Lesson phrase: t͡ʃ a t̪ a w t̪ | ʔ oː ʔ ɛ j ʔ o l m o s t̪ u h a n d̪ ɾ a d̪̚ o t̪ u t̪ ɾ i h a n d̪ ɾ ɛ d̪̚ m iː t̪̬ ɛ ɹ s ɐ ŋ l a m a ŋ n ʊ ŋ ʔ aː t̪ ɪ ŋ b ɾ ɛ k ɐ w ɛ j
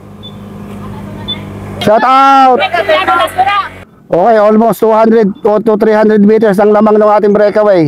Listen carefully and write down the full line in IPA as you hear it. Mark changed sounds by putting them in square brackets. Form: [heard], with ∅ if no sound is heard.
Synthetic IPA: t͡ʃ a t̪ a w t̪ | ʔ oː [k] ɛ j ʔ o l m o s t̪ u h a n d̪ ɾ [ɛ] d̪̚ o t̪ u t̪ ɾ i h a n d̪ ɾ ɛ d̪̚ m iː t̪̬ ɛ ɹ s ɐ ŋ l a m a ŋ n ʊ ŋ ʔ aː t̪ ɪ ŋ b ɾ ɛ k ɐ w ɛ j